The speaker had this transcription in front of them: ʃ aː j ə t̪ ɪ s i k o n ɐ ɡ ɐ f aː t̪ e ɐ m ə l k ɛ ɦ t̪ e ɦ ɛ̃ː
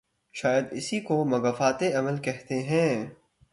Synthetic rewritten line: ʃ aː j ə d̪ ɪ s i k o m ɐ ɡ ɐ f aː t̪ e ɐ m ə l k ɛ ɦ t̪ e ɦ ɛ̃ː